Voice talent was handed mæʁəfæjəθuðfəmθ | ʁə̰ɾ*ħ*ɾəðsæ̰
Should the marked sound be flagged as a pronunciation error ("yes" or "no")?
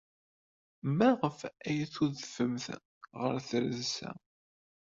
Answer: yes